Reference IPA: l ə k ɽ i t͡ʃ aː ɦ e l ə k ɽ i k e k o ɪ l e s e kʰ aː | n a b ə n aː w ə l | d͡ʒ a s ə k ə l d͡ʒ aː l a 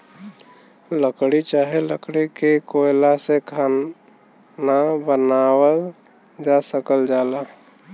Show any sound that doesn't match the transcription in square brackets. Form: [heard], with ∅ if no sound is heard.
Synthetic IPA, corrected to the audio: l ə k ɽ i t͡ʃ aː ɦ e l ə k ɽ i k e k o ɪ l [a] s e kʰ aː | n a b ə n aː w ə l | d͡ʒ a s ə k ə l d͡ʒ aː l a